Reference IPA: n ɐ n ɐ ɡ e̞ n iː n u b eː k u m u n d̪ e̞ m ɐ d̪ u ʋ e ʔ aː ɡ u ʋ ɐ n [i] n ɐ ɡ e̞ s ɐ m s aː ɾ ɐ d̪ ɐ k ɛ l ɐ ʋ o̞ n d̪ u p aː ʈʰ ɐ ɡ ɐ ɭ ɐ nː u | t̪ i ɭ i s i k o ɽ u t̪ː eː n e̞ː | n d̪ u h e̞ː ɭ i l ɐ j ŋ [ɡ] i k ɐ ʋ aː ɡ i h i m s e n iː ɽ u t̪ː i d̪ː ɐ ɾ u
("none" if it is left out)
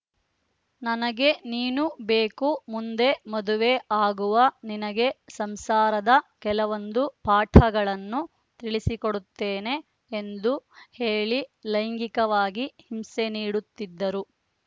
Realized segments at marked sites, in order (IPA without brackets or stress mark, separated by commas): i, ɡ